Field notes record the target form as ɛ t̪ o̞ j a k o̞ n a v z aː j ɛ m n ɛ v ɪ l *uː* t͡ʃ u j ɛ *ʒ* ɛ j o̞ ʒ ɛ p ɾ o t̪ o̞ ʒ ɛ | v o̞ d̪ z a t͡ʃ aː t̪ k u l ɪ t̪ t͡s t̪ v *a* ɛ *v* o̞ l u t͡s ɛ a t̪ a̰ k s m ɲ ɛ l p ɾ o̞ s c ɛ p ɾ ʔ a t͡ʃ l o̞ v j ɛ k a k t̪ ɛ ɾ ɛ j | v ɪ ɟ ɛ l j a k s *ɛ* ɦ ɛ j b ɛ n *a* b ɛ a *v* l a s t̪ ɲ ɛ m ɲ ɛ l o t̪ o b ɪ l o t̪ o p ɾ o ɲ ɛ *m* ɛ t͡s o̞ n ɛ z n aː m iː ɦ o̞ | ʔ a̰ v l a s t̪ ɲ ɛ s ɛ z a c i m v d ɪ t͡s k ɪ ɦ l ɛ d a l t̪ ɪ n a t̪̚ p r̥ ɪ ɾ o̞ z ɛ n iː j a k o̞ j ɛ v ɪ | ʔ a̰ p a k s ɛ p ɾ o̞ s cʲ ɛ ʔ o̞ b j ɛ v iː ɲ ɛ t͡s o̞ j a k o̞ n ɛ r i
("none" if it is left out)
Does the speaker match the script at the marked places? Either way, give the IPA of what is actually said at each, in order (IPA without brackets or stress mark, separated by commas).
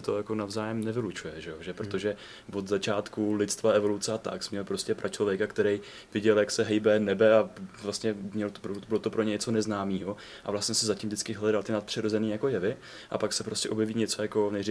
u, ʒ, a, v, ɛ, ɛ, v, ɲ